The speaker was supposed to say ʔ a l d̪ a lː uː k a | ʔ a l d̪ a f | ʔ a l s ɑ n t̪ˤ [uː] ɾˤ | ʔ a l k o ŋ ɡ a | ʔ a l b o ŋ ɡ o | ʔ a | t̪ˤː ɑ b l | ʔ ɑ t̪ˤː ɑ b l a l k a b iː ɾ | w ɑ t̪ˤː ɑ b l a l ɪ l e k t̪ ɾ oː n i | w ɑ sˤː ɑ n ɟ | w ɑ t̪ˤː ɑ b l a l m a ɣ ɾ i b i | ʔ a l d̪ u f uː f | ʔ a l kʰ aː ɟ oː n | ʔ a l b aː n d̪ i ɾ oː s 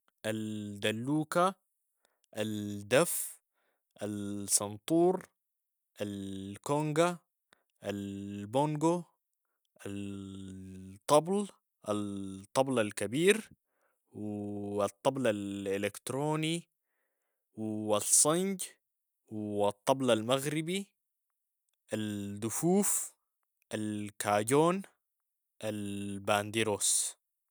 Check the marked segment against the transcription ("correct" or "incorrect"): correct